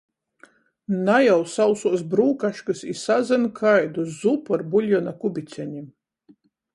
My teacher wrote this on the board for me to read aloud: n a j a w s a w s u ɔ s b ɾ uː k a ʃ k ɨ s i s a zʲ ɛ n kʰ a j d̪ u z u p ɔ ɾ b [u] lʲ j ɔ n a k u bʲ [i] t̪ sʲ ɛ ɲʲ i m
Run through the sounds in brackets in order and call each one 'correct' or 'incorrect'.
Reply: correct, correct

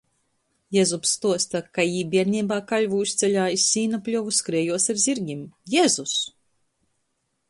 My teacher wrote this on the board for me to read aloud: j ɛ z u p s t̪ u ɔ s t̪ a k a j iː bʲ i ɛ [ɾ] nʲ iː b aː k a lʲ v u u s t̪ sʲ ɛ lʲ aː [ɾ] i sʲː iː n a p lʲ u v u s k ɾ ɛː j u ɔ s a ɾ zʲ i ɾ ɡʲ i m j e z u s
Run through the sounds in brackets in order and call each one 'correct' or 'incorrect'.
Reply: correct, incorrect: none

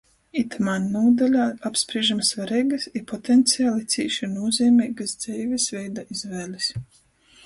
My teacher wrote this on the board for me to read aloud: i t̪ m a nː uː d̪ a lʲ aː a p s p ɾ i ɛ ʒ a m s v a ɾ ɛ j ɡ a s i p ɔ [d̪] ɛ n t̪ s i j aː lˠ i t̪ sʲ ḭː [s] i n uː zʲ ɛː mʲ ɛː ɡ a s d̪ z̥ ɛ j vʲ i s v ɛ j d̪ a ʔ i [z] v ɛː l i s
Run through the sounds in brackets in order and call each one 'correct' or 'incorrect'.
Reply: incorrect: t̪, incorrect: ʃ, correct

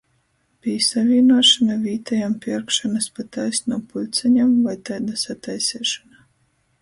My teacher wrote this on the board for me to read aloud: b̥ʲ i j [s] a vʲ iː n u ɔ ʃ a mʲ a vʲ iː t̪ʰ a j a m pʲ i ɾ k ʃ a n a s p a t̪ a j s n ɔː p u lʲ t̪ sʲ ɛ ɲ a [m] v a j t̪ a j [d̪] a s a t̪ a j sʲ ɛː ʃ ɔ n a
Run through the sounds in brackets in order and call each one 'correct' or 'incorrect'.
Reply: correct, correct, correct

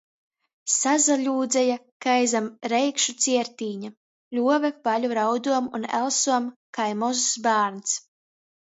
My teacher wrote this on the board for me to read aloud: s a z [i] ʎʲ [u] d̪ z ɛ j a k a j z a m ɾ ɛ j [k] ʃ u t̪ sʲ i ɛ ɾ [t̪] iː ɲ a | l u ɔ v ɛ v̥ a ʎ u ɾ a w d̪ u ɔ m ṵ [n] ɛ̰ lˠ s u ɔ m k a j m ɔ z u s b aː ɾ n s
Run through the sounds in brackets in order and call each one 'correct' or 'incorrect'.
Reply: incorrect: a, incorrect: uː, correct, correct, correct

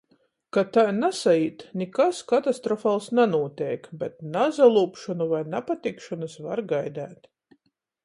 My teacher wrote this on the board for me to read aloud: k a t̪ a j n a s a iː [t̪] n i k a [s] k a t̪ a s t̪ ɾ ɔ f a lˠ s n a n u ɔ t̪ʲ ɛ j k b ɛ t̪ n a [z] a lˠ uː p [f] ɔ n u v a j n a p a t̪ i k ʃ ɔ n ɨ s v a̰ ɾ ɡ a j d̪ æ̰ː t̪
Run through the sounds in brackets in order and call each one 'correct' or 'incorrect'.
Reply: correct, correct, correct, incorrect: ʃ

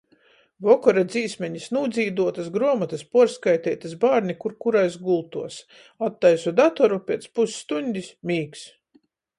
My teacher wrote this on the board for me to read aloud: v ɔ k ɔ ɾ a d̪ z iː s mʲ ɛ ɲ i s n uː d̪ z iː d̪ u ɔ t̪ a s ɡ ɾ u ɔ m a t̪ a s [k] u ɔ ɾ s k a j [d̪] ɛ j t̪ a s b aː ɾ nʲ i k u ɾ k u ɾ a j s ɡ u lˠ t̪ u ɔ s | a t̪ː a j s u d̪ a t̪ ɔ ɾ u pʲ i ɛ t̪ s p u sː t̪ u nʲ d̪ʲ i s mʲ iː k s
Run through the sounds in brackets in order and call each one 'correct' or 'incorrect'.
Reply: incorrect: p, incorrect: t̪

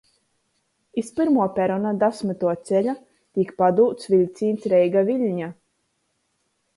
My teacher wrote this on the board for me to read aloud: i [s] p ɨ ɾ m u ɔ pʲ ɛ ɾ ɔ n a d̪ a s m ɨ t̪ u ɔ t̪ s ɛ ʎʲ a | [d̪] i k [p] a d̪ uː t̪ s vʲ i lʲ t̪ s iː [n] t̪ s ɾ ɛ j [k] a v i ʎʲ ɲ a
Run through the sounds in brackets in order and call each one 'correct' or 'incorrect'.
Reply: correct, incorrect: t̪, correct, correct, incorrect: ɡ

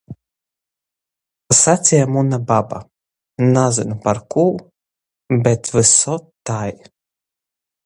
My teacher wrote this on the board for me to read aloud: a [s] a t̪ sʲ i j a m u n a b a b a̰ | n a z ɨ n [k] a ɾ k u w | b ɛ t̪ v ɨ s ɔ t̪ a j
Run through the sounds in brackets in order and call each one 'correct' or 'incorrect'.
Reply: correct, incorrect: p

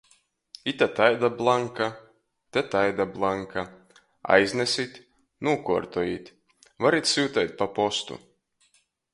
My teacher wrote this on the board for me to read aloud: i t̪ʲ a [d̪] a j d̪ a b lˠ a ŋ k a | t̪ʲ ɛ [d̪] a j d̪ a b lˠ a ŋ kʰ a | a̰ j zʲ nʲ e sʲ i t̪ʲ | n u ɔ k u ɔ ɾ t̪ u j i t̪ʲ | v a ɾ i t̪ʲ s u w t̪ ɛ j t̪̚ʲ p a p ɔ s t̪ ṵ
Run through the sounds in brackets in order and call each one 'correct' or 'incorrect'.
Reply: incorrect: t̪, incorrect: t̪

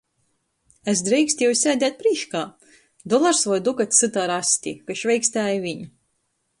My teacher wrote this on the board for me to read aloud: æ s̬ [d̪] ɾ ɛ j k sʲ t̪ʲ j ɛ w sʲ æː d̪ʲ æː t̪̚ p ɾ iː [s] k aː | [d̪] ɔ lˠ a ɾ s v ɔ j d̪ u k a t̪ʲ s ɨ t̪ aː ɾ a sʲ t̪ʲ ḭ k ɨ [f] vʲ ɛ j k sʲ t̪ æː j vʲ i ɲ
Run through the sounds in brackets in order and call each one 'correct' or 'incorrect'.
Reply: correct, incorrect: ʃ, correct, incorrect: ʃ

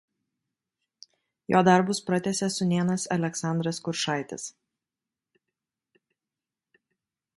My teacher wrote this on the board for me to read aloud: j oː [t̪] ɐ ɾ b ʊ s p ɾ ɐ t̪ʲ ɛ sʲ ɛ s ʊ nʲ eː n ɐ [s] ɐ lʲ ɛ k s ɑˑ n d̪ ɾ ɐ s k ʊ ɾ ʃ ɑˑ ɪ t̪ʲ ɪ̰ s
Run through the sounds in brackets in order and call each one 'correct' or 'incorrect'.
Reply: incorrect: d̪, correct

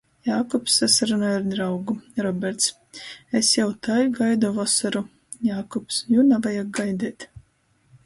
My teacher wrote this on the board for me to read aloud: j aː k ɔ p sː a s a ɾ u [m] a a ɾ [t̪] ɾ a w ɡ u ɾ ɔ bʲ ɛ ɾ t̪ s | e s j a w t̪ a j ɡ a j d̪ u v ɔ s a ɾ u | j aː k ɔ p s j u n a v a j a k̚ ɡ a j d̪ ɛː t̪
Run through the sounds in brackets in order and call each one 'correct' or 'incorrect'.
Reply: incorrect: n, incorrect: d̪

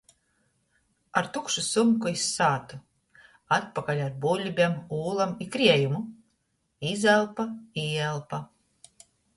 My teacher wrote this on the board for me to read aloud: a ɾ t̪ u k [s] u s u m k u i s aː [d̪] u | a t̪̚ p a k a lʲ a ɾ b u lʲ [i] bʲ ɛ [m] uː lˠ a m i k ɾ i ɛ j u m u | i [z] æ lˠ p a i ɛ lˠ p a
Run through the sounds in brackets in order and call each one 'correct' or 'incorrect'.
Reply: incorrect: ʃ, incorrect: t̪, correct, correct, correct

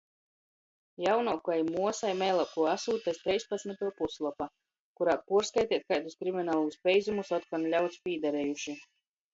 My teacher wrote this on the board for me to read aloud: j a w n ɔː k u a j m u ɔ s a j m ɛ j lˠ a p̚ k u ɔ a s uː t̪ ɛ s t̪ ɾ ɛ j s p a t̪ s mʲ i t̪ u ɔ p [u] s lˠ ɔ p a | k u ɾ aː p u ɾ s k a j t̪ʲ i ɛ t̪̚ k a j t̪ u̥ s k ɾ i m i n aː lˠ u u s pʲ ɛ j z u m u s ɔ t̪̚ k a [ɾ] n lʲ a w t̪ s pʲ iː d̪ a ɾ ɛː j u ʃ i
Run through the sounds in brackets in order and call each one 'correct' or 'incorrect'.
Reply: correct, incorrect: none

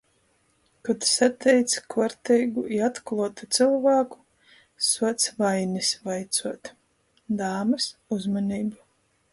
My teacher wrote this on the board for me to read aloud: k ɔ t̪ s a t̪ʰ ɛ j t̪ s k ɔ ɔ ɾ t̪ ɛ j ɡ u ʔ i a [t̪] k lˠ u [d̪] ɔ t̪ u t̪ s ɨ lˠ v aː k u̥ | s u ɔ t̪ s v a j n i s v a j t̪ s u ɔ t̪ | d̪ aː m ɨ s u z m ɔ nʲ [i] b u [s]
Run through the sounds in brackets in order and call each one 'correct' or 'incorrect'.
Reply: correct, incorrect: none, incorrect: iː, incorrect: none

